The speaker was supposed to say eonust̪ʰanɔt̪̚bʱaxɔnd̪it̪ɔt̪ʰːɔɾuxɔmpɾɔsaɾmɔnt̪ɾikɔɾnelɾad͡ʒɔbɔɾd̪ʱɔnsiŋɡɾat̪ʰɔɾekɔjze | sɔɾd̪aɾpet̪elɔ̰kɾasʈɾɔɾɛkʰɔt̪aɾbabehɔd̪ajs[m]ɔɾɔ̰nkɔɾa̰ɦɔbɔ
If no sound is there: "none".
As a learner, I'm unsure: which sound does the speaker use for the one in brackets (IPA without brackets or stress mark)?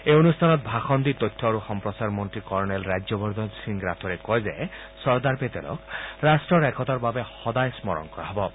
m